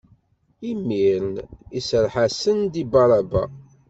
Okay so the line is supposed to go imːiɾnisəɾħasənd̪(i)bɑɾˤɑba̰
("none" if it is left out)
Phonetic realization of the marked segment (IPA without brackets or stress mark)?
i